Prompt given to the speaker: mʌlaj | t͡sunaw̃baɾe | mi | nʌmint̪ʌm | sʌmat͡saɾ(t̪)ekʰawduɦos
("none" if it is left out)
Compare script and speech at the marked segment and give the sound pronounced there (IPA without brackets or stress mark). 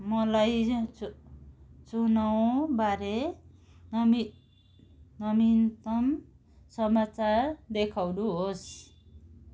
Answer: d̪